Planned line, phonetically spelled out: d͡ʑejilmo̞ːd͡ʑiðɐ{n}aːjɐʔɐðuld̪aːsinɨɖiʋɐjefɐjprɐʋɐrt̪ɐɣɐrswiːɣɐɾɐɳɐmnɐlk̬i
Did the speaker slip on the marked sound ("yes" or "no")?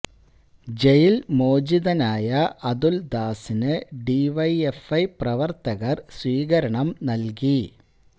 no